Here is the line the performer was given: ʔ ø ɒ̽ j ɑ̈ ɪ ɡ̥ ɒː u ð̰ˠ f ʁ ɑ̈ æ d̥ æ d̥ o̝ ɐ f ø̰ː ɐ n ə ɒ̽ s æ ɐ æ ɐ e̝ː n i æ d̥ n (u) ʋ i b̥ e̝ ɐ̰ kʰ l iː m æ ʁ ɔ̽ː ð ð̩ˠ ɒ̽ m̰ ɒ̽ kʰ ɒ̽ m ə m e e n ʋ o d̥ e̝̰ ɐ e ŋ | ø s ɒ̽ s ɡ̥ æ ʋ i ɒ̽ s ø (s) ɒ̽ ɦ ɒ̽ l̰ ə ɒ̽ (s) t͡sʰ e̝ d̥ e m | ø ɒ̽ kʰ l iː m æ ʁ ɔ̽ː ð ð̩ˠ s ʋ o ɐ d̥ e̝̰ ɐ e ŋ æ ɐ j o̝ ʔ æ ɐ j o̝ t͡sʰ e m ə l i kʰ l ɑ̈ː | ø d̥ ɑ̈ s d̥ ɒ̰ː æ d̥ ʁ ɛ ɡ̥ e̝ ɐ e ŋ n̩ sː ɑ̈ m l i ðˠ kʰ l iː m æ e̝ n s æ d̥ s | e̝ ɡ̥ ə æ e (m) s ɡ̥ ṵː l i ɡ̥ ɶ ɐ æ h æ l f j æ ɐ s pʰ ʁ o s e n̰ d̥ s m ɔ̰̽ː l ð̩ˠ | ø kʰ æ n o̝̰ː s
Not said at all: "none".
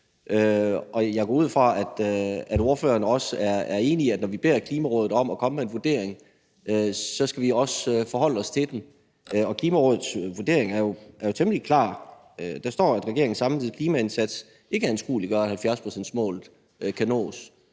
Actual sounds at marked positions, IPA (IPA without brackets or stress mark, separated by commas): ɒ, f, s, n